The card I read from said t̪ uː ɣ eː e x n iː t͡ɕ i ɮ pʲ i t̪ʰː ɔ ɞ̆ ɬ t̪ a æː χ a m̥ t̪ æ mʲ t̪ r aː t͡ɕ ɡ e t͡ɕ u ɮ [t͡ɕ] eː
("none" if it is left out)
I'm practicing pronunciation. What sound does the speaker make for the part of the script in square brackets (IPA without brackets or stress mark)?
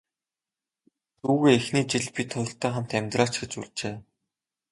t͡ɕ